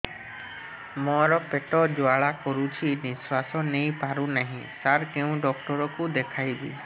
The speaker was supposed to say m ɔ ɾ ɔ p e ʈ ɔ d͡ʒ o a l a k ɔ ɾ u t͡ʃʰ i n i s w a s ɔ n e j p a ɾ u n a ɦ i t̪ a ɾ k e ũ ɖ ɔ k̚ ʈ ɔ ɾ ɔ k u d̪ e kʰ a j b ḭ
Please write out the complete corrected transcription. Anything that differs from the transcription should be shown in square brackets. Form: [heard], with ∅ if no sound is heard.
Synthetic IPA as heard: m ɔ ɾ ɔ p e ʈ ɔ d͡ʒ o a [ɭ] a k ɔ ɾ u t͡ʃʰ i n i s w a s ɔ n e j p a ɾ u n a ɦ [ĩ] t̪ a ɾ k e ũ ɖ ɔ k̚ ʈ ɔ ɾ ɔ k u d̪ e kʰ a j b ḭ

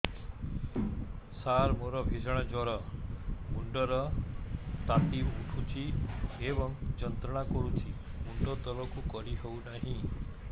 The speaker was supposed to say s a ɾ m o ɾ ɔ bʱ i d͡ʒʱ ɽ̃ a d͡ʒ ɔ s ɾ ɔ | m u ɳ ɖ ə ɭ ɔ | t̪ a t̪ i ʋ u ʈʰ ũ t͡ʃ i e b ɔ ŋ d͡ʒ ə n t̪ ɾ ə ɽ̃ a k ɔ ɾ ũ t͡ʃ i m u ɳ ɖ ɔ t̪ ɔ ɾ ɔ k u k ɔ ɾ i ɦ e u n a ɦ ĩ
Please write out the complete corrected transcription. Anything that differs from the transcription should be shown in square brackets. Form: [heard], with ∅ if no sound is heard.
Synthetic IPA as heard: s a ɾ m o ɾ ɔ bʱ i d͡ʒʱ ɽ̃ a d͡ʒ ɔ [∅] ɾ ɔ | m u ɳ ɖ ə [ɾ] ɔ | t̪ a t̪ i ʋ u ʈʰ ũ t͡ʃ i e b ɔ ŋ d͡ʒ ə n t̪ ɾ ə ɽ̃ a k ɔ ɾ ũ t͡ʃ i m u ɳ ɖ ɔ t̪ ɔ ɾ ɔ k u k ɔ ɾ i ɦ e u n a ɦ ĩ

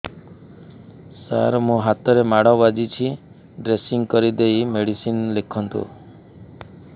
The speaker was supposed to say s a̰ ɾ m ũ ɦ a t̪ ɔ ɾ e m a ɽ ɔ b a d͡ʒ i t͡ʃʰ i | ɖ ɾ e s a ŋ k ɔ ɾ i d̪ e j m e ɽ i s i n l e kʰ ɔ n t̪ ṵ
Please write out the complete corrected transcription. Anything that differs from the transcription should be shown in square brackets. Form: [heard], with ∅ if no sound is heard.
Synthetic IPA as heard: s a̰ ɾ m ũ ɦ a t̪ ɔ ɾ e m a ɽ ɔ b a d͡ʒ i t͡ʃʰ i | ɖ ɾ e s [i] ŋ k ɔ ɾ i d̪ e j m e ɽ i s i n l e kʰ ɔ n t̪ ṵ

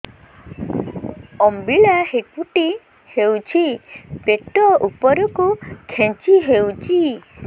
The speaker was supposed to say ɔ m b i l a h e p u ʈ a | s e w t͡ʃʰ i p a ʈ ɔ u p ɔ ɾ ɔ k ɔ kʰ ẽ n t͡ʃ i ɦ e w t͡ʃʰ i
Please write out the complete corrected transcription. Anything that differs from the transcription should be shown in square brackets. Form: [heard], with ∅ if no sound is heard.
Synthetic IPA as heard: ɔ m b i [ɭ] a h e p u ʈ [i] | [h] e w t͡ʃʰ i p [e] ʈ ɔ u p ɔ ɾ ɔ k [u] kʰ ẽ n t͡ʃ i ɦ e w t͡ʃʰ i

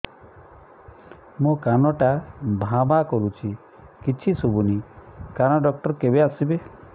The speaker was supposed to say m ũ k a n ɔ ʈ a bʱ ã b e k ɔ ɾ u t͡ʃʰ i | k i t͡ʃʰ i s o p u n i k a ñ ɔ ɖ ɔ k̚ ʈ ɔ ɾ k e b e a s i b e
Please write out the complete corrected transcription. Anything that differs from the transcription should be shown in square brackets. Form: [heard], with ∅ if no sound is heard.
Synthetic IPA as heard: m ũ k a n ɔ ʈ a bʱ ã b [a] k ɔ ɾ u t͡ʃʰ i | k i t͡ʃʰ i s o [b] u n i k a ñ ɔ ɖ ɔ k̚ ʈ ɔ ɾ k e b e a s i b e

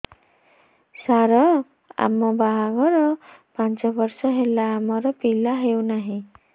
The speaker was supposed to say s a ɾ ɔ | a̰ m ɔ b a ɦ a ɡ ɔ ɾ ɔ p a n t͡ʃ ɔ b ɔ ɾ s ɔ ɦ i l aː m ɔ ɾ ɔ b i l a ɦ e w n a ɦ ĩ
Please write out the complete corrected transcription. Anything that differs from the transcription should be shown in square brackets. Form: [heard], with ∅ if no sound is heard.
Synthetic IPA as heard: s a ɾ ɔ | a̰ m ɔ b a ɦ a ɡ ɔ ɾ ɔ p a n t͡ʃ ɔ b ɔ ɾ s ɔ ɦ [e] l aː m ɔ ɾ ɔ [p] i l a ɦ e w n a ɦ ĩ

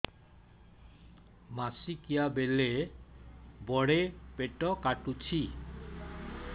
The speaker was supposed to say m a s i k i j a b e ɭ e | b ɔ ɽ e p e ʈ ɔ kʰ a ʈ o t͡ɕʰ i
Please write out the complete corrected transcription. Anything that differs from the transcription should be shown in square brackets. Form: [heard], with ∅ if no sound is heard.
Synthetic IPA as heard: m a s i k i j a b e [l] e | b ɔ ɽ e p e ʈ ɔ [k] a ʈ [u] t͡ɕʰ i

